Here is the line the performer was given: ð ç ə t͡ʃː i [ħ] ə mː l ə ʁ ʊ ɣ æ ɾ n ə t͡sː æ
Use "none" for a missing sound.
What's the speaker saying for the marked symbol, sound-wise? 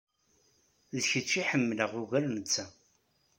ħ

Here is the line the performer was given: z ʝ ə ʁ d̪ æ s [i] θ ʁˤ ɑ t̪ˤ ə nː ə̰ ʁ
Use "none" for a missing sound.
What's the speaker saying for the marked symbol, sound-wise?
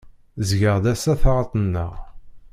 æ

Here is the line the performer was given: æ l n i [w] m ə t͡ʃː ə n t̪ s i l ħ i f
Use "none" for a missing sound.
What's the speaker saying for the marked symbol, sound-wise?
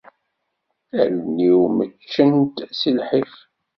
w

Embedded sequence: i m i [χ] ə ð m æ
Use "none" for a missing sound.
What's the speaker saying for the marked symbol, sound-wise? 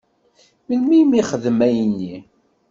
χ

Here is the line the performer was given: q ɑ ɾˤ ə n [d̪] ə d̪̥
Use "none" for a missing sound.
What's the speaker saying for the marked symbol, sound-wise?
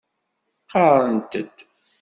t̪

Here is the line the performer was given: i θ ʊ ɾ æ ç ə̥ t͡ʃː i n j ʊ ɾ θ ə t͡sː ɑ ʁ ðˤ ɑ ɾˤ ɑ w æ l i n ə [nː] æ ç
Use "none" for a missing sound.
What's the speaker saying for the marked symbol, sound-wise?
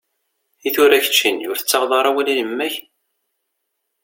mː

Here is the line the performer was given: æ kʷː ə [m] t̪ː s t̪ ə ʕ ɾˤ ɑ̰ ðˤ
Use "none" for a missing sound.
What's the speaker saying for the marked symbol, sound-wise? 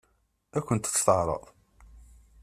n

